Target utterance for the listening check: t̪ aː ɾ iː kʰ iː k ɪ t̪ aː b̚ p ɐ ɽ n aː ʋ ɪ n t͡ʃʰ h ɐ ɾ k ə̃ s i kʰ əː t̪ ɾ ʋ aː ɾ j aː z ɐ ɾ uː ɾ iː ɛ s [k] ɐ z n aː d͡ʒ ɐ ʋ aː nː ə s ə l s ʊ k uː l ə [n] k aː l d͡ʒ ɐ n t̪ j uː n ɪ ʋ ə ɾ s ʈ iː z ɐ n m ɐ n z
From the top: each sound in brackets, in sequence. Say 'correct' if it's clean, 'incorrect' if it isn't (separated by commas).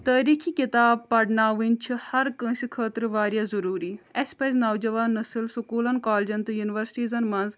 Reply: incorrect, correct